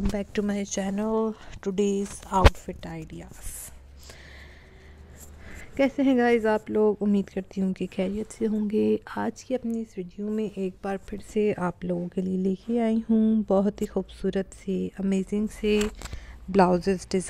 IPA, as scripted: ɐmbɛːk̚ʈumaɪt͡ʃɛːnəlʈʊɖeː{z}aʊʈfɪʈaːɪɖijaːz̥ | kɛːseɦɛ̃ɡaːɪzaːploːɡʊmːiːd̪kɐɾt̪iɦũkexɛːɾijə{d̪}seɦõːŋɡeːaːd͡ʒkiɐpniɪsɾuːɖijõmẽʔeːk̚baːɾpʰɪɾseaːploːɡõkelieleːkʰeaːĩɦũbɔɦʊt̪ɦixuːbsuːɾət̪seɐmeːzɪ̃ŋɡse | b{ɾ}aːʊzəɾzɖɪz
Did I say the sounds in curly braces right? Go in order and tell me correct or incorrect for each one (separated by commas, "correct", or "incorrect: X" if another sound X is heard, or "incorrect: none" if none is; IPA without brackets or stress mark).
correct, incorrect: t̪, incorrect: l